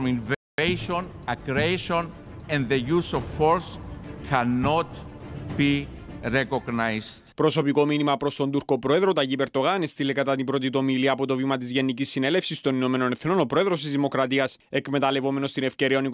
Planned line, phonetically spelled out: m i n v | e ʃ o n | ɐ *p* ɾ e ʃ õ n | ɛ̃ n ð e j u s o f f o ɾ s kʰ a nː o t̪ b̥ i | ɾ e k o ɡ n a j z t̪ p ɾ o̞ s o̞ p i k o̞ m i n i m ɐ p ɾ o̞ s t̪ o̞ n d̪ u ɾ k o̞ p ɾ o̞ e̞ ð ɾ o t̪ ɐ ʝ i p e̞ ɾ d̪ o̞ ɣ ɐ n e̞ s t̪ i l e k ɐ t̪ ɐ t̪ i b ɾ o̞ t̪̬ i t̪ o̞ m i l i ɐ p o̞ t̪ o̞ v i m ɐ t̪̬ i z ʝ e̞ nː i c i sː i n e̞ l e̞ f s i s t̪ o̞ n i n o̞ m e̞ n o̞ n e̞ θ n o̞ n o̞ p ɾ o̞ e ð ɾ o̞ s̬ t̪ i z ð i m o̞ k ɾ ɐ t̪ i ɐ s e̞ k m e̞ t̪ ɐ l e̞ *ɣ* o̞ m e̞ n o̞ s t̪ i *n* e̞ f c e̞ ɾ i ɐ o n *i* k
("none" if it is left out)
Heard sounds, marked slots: k, v, n, i

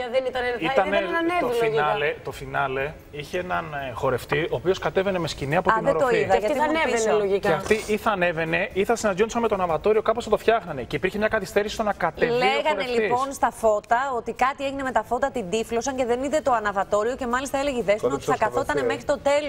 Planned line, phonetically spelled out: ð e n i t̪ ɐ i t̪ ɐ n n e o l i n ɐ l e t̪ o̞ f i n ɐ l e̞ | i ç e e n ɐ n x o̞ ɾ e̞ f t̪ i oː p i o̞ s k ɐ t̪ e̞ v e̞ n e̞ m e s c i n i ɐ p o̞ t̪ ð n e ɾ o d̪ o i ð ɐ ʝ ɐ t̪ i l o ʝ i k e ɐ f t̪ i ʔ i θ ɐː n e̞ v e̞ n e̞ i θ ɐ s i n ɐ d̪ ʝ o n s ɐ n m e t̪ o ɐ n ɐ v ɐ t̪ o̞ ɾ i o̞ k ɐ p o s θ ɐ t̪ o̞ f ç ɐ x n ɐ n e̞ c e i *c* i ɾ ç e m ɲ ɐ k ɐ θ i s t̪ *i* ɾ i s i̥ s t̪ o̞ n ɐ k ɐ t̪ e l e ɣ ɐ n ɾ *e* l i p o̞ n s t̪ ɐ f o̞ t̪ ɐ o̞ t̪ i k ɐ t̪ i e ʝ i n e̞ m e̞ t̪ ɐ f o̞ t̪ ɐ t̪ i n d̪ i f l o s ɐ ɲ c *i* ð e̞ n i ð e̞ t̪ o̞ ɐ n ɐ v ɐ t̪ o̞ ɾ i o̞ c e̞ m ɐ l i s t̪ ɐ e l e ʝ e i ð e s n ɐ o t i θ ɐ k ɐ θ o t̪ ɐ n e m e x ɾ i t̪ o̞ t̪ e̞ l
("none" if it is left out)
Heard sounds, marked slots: p, e, e, e

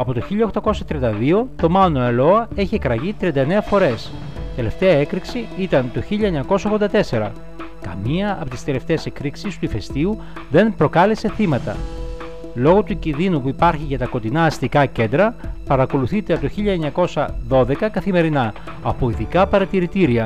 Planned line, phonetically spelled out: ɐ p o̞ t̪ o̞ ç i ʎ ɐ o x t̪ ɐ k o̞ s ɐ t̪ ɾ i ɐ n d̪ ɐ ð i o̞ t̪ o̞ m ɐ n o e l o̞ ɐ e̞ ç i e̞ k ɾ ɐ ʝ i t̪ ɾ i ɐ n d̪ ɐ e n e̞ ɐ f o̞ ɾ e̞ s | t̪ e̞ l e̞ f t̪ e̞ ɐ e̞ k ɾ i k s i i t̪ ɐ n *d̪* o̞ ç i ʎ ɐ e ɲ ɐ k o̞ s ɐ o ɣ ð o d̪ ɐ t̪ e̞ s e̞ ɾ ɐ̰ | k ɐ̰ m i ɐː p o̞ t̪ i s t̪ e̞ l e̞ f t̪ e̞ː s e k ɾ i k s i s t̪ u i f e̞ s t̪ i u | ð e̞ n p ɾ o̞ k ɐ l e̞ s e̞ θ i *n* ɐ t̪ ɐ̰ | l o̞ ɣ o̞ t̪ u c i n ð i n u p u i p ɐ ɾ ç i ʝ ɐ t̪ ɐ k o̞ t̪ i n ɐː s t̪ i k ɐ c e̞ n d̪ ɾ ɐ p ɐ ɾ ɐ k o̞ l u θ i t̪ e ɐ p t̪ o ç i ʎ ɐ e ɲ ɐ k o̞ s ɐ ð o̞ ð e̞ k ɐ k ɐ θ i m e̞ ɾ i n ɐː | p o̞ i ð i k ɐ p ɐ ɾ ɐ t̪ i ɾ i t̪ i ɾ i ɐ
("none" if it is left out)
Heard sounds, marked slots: t̪, m

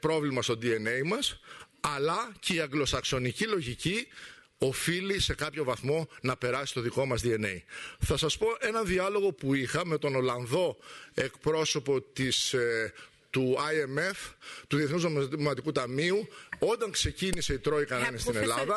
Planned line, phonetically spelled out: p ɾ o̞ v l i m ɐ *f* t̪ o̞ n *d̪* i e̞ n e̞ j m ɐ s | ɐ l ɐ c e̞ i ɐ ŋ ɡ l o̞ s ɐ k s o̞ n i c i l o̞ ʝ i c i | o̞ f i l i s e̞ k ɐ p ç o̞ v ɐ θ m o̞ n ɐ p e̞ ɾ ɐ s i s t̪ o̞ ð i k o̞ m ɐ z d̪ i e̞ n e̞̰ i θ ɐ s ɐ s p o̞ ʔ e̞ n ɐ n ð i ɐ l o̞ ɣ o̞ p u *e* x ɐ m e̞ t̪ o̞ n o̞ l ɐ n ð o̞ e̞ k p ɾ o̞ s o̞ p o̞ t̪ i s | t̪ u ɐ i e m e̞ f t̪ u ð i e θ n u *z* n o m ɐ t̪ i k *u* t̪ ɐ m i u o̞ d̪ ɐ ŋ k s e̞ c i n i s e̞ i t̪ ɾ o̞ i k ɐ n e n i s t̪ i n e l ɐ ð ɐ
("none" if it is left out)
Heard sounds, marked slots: s, d̪, i, z, u

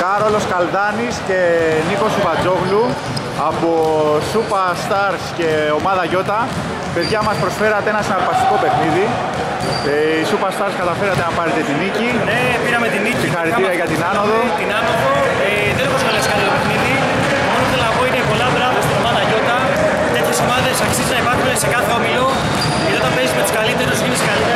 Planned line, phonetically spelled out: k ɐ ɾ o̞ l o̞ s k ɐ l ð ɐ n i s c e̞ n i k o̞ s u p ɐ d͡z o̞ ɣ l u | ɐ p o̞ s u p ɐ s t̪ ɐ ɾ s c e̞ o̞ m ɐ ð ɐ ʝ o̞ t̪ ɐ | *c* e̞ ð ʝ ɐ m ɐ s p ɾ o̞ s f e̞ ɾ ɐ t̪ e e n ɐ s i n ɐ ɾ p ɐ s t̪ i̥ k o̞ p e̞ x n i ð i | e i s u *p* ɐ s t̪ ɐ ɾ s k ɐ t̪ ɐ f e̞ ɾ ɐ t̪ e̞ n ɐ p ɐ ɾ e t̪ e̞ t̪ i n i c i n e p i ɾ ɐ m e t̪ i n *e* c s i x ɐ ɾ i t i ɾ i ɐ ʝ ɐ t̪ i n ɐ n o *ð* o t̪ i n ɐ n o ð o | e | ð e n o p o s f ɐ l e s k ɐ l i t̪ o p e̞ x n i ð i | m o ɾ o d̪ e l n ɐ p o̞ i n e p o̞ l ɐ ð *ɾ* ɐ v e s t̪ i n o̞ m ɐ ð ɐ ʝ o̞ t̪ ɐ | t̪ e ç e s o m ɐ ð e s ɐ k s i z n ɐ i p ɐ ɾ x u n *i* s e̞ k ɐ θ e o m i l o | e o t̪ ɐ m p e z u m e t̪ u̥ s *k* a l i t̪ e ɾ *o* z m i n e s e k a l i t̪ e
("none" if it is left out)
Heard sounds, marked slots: p, p, i, ð, ɾ, e, k, o

